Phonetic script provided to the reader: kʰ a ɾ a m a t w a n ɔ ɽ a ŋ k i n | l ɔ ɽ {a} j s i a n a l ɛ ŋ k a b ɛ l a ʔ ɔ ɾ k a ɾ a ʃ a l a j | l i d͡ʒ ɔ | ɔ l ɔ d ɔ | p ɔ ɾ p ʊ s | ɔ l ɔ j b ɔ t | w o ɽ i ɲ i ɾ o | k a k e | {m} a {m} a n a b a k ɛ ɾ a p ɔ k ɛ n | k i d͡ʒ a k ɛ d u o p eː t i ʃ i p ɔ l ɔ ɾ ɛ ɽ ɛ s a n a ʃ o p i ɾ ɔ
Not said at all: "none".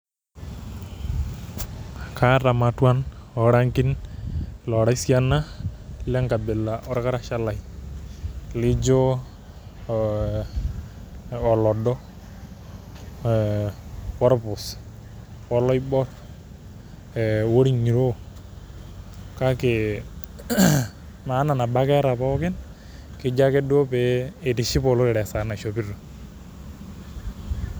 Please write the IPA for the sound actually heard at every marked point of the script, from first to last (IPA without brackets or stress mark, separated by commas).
a, m, n